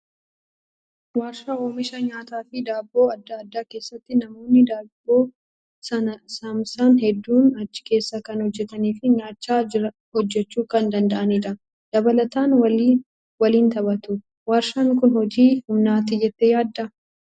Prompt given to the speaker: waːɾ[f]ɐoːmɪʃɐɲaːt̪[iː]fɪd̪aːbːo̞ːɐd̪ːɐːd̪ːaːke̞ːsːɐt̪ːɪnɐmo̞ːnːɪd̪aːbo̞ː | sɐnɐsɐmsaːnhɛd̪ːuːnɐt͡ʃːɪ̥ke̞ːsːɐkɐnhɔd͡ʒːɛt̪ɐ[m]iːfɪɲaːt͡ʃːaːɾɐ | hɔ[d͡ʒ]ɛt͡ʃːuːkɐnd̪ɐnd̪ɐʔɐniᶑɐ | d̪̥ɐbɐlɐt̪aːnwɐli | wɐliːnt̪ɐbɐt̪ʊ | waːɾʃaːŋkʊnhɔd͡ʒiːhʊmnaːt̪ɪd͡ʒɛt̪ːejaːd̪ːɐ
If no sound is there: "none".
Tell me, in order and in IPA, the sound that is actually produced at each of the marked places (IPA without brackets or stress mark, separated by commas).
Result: ʃ, aː, n, d͡ʒː